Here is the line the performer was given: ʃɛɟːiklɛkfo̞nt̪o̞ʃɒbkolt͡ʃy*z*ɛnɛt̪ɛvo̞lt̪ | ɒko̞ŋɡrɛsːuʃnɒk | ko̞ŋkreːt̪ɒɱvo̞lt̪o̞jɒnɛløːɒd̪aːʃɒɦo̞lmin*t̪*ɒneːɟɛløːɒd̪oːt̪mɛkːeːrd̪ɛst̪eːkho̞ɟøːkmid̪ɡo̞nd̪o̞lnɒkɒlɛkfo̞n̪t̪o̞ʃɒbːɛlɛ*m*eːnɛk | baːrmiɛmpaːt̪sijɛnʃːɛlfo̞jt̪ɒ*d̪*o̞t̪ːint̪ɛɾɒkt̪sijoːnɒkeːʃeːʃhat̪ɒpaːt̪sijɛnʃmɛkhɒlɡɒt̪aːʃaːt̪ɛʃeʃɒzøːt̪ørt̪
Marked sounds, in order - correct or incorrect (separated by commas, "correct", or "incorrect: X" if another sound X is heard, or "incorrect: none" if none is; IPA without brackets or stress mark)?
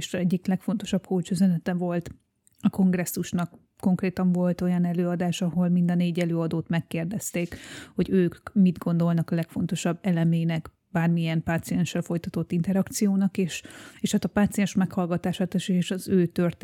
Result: correct, incorrect: d̪, correct, incorrect: t̪